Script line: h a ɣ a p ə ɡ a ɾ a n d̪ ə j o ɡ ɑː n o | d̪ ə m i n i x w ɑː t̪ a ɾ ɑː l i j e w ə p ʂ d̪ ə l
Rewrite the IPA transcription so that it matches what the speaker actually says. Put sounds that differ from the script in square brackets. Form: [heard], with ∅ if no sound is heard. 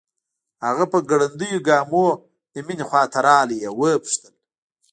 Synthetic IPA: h a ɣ a p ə ɡ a [ɽ] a n d̪ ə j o ɡ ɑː [m] o | d̪ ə m i n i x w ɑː t̪ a ɾ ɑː l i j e w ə p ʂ [t̪] ə l